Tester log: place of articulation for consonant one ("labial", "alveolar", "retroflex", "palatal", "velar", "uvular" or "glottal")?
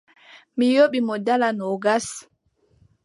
labial